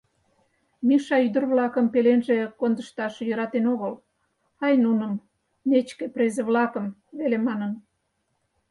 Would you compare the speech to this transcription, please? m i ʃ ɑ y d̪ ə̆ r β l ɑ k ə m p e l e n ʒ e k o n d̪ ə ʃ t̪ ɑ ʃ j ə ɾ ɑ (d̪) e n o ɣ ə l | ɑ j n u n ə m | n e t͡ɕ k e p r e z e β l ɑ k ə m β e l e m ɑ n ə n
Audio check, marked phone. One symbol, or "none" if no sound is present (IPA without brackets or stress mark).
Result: t̪